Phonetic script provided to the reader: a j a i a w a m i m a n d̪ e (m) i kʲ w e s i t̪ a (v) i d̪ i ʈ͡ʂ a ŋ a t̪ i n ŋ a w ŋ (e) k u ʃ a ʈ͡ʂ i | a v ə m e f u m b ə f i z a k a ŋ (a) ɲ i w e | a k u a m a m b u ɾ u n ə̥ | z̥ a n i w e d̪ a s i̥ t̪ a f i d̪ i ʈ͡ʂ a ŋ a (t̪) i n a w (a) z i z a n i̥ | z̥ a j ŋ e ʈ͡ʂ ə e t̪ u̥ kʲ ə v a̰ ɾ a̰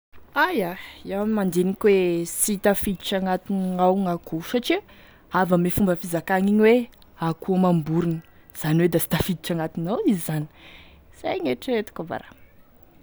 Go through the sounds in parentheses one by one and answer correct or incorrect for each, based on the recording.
incorrect, incorrect, incorrect, incorrect, correct, incorrect

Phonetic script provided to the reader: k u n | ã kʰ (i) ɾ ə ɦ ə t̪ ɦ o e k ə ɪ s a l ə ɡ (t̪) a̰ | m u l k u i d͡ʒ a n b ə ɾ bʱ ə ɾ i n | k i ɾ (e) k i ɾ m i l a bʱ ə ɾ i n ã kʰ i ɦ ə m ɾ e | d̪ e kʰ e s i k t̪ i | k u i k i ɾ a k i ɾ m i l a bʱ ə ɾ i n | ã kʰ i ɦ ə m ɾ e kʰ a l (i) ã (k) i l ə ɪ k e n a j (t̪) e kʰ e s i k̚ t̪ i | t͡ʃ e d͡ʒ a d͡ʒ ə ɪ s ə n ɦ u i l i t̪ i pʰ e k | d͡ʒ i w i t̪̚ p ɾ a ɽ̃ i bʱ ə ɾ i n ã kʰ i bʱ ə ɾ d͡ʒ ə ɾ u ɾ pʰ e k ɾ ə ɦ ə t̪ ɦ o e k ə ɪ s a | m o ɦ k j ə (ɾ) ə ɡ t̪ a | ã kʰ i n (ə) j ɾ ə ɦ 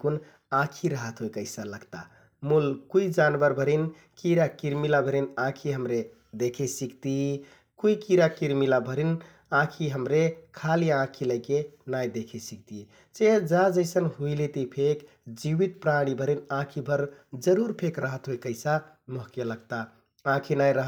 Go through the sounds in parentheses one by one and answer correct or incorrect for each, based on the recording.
correct, correct, incorrect, correct, incorrect, incorrect, incorrect, incorrect

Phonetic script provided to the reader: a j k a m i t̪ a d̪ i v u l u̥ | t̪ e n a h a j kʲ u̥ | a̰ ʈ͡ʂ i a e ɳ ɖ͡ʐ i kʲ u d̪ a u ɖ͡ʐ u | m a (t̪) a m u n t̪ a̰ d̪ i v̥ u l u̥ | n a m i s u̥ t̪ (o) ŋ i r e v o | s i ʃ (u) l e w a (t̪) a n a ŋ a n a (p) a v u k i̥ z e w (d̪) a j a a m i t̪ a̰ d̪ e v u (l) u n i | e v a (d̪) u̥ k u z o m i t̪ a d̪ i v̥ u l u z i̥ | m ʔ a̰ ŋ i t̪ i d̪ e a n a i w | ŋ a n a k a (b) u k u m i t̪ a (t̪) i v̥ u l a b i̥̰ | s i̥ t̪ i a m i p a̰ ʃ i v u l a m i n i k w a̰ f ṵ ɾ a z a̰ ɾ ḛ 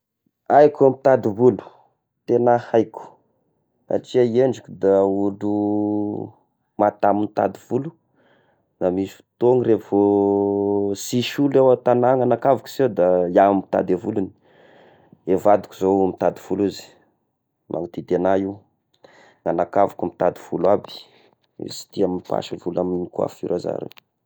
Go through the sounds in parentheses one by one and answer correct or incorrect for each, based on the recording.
correct, correct, correct, correct, incorrect, correct, correct, correct, incorrect, incorrect

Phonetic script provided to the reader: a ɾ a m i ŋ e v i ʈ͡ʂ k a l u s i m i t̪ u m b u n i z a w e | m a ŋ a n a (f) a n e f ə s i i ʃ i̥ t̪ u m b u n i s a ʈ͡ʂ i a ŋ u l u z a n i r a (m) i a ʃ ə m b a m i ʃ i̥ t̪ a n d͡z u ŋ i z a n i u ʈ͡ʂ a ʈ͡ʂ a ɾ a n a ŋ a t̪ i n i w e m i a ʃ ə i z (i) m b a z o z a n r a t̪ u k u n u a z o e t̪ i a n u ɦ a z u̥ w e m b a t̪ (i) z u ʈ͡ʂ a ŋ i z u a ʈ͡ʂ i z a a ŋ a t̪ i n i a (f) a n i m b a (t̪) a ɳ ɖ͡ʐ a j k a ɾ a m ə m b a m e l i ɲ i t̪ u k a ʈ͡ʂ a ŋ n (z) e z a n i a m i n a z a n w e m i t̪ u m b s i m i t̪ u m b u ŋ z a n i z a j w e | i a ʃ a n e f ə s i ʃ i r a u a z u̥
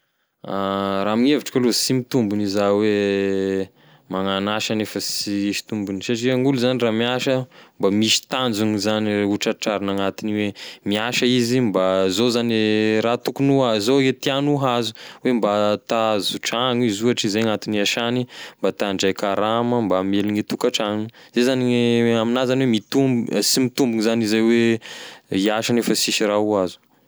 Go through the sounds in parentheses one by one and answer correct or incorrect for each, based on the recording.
incorrect, correct, correct, incorrect, incorrect, correct, correct

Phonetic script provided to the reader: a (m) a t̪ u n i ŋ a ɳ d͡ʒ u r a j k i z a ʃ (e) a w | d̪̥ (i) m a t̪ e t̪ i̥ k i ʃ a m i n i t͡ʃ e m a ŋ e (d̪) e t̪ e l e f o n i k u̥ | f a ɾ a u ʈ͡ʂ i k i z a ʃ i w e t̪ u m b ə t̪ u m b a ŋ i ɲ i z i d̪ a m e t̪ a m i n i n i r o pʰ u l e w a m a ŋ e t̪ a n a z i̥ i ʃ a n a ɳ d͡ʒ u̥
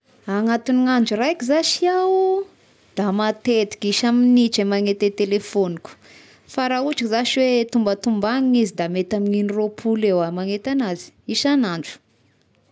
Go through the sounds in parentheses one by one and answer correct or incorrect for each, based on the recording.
incorrect, incorrect, incorrect, incorrect

